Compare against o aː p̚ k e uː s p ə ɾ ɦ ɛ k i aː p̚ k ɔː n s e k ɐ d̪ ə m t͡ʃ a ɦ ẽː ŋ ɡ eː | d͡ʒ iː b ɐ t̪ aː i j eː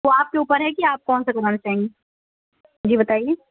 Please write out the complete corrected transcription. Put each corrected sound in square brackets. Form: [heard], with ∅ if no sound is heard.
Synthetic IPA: o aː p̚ k e uː [∅] p ə ɾ ɦ ɛ k i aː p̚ k ɔː n s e k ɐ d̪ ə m t͡ʃ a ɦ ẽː ŋ ɡ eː | d͡ʒ iː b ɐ t̪ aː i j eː